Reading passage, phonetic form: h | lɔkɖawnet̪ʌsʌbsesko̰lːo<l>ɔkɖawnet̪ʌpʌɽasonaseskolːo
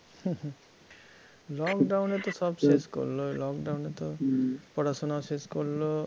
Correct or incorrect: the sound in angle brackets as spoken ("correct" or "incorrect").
correct